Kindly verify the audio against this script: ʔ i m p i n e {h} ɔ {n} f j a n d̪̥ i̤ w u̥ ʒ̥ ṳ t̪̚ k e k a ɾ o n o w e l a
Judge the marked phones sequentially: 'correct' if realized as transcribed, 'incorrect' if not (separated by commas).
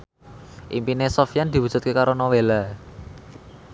incorrect, incorrect